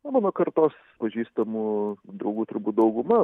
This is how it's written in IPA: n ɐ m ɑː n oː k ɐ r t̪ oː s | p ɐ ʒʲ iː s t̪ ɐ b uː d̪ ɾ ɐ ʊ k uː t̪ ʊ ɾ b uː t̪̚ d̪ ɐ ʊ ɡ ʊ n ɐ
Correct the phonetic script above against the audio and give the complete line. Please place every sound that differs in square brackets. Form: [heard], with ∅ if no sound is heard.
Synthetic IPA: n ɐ m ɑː n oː k ɐ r t̪ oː s | p ɐ ʒʲ iː s t̪ ɐ [m] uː d̪ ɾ ɐ ʊ [ɡ] uː t̪ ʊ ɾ b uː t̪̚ d̪ ɐ ʊ ɡ ʊ [m] ɐ